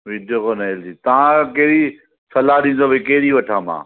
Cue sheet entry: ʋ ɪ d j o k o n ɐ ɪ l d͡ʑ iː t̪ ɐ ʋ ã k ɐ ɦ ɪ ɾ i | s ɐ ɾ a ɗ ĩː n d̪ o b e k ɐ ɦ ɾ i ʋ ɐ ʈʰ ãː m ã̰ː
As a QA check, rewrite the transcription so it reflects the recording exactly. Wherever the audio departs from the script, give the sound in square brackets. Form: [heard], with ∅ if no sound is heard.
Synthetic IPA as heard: ʋ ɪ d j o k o n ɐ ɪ l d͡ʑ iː t̪ ɐ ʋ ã k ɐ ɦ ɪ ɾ i | s ɐ [l] a ɗ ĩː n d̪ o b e k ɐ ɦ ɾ i ʋ ɐ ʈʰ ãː m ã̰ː